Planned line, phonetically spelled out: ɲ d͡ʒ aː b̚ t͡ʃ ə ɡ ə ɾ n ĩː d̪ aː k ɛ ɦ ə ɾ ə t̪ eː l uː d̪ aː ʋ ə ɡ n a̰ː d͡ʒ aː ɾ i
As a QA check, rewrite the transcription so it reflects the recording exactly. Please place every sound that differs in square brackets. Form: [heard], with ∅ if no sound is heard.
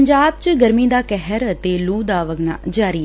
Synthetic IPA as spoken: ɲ d͡ʒ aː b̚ t͡ʃ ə ɡ ə ɾ [m] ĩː d̪ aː k ɛ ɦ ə ɾ ə t̪ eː l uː d̪ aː ʋ ə ɡ n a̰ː d͡ʒ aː ɾ i